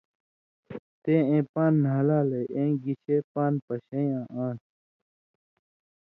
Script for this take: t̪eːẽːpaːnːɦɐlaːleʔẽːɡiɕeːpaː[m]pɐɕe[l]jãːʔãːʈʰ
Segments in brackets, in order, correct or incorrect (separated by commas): incorrect, incorrect